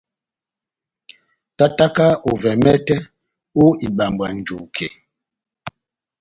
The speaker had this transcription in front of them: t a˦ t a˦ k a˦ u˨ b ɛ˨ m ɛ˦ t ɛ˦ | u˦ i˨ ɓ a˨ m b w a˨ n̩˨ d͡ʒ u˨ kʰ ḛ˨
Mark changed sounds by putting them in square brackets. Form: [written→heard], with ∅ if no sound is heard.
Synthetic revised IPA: t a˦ t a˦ k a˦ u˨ [b→v] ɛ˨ m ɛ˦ t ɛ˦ | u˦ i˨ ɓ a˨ m b w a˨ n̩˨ d͡ʒ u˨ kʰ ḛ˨